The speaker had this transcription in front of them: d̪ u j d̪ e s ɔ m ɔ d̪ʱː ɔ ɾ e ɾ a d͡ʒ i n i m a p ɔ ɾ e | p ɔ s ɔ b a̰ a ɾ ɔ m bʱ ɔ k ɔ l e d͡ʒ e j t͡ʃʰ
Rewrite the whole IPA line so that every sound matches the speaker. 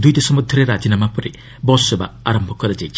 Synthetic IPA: d̪ u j d̪ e s ɔ m ɔ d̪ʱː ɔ ɾ e ɾ a d͡ʒ i n a m a p ɔ ɾ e | b ɔ s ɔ b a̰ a ɾ ɔ m bʱ ɔ k ɔ ɾ e d͡ʒ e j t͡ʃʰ